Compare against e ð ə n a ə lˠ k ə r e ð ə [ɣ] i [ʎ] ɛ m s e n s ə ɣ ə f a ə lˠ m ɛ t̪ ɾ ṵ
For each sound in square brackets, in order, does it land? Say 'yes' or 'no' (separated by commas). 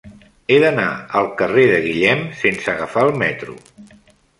yes, yes